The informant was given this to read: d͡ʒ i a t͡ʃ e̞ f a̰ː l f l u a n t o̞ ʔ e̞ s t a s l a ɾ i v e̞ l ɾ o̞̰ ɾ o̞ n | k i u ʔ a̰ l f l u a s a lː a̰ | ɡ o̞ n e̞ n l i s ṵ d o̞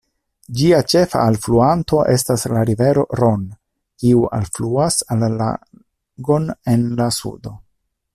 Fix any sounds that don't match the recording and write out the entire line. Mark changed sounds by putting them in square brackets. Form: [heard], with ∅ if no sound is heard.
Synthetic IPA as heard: d͡ʒ i a t͡ʃ e̞ f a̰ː l f l u a n t o̞ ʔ e̞ s t a s l a ɾ i v e̞ [∅] ɾ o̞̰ ɾ o̞ n | k i u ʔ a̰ l f l u a s a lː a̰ | ɡ o̞ n e̞ n l [a] s ṵ d o̞